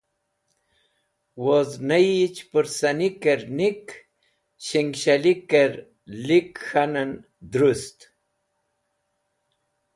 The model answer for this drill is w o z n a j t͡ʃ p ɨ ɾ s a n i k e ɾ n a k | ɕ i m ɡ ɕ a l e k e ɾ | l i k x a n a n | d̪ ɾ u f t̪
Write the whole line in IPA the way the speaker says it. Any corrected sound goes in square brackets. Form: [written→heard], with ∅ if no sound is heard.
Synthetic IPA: w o z n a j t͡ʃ p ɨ ɾ s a n i k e ɾ n [a→i] k | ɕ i [m→ŋ] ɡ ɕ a l [e→i] k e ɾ | l i k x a n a n | d̪ ɾ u [f→s] t̪